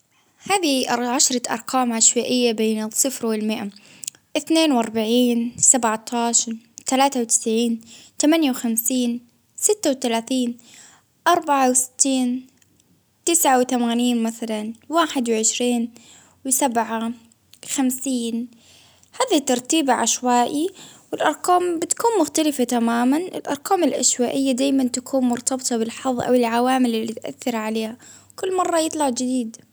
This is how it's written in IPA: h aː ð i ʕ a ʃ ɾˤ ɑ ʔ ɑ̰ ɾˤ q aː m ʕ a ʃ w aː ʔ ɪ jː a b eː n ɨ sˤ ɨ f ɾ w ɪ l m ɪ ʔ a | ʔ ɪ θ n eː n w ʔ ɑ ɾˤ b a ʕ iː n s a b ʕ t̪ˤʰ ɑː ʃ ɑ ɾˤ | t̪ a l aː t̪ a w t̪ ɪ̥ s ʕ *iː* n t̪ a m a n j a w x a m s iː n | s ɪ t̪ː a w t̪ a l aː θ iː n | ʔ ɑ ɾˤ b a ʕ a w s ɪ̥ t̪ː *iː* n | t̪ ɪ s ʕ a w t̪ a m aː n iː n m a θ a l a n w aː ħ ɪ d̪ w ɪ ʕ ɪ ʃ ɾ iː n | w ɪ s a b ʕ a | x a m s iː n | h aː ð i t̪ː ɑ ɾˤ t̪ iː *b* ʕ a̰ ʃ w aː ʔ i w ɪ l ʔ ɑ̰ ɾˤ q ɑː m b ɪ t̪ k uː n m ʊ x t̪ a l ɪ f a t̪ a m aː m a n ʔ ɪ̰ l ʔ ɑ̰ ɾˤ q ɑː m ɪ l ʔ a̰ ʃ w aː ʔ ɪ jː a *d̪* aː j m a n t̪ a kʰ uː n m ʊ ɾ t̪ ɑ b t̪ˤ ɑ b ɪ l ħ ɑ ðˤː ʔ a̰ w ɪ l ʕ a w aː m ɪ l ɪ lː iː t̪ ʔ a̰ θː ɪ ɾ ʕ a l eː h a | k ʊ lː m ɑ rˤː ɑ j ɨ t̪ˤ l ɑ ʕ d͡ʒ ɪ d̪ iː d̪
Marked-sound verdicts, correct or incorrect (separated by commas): correct, correct, correct, correct